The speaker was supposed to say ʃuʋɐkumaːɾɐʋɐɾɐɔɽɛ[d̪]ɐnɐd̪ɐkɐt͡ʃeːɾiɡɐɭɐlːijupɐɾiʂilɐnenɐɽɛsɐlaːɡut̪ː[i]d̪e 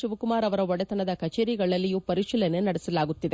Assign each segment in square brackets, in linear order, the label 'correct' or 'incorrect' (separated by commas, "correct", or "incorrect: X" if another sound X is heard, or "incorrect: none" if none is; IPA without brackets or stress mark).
incorrect: t̪, correct